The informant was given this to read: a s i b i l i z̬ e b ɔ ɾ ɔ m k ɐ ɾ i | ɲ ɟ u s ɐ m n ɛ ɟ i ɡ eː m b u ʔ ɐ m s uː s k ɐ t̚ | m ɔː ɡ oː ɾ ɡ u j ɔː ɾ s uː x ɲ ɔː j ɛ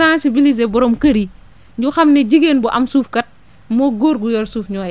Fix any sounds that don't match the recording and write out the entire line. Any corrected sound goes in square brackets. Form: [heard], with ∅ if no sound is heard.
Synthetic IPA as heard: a s i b i l i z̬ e b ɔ ɾ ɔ m k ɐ ɾ i | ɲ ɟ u [x] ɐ m n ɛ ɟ i ɡ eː [n] b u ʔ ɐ m s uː [f] k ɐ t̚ | m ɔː ɡ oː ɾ ɡ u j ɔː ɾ s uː [f] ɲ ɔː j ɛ